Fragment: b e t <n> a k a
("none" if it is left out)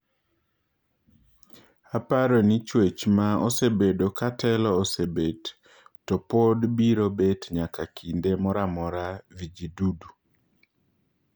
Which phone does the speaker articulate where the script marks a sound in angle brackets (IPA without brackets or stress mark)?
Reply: ɲ